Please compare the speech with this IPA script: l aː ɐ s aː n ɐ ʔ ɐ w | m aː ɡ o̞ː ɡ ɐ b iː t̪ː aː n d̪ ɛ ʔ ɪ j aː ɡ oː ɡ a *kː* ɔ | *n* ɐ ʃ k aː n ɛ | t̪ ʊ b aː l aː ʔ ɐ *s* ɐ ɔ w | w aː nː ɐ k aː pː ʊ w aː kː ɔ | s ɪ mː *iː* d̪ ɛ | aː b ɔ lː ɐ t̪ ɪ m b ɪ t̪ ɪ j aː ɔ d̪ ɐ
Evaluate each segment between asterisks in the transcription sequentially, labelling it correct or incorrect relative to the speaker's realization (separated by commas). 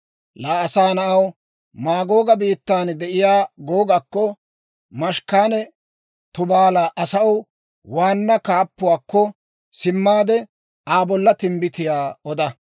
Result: correct, incorrect, correct, incorrect